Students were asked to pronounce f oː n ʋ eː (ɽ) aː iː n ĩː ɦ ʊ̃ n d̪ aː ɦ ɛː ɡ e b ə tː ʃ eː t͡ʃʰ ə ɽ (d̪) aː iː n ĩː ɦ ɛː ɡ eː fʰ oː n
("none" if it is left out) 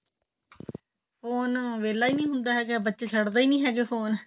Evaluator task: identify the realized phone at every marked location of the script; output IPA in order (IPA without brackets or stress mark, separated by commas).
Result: l, d̪